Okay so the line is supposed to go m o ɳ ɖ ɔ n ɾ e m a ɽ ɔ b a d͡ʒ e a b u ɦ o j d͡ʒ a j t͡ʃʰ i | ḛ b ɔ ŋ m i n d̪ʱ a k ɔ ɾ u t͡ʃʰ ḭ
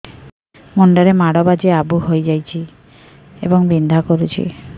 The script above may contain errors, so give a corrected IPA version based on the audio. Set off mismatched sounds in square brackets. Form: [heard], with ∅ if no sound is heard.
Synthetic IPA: m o ɳ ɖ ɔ [∅] ɾ e m a ɽ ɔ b a d͡ʒ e a b u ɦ o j d͡ʒ a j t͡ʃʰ i | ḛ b ɔ ŋ [b] i n d̪ʱ a k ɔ ɾ u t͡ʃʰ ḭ